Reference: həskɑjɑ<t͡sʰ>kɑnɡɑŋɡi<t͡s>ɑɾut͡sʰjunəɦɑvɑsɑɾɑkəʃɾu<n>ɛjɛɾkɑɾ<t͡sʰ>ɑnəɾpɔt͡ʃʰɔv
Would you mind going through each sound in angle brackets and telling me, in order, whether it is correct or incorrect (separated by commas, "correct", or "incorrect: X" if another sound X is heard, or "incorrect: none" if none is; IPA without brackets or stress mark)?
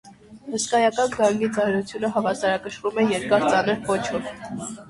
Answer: incorrect: none, correct, incorrect: m, incorrect: t͡s